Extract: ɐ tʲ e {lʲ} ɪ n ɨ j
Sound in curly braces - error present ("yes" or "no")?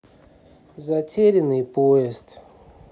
yes